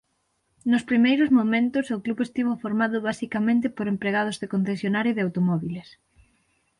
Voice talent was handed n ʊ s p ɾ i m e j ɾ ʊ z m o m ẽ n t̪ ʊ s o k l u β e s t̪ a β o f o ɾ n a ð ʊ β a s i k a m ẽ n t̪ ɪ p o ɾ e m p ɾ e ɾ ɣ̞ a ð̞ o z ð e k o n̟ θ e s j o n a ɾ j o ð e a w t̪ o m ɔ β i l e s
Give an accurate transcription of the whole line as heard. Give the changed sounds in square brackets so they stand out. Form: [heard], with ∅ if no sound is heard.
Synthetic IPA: n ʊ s p ɾ i m e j ɾ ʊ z m o m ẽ n t̪ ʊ s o k l u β e s t̪ [i] β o f o ɾ [m] a ð ʊ β a s i k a m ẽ n t̪ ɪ p o ɾ e m p ɾ e [∅] ɣ̞ a ð̞ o z ð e k o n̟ θ e s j o n a ɾ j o ð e a w t̪ o m ɔ β i l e s